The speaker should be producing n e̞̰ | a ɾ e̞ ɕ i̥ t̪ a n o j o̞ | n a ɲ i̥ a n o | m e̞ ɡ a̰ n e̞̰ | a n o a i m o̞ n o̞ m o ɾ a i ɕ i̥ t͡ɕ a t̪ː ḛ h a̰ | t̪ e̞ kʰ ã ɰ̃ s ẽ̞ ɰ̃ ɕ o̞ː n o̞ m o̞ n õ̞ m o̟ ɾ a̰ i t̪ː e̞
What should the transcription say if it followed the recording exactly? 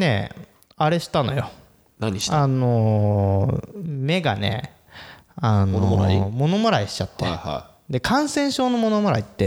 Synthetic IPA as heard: n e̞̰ | a ɾ e̞ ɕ i̥ t̪ a n o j o̞ | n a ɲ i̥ a n o | m e̞ ɡ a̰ n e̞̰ | a n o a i m o̞ n o̞ m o ɾ a i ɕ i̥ t͡ɕ a t̪ː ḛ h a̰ | d̪ e̞ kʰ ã ɰ̃ s ẽ̞ ɰ̃ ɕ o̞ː n o̞ m o̞ n o̞ m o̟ ɾ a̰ i t̪ː e̞